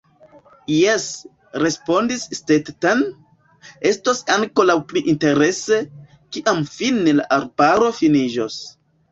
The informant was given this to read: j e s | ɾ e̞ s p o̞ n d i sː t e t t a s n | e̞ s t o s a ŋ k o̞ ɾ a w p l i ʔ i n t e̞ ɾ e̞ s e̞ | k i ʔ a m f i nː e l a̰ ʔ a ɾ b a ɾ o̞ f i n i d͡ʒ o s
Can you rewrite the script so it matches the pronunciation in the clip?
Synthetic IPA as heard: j e s | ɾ e̞ s p o̞ n d i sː t e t t a n | e̞ s t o s a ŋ k o̞ l a w p l i ʔ i n t e̞ ɾ e̞ s e̞ | k i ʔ a m f i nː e l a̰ ʔ a ɾ b a ɾ o̞ f i n i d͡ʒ o s